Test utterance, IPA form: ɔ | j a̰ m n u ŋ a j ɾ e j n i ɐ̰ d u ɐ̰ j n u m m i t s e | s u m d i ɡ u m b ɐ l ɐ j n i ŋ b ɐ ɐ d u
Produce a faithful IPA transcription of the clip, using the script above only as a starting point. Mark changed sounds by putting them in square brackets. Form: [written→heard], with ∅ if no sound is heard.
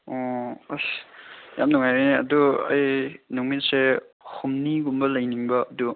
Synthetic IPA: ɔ | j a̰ m n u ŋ a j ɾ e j n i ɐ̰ d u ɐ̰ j n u [m→ŋ] m i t s e | [s→h] u m [d→n] i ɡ u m b ɐ l ɐ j n i ŋ b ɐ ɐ d u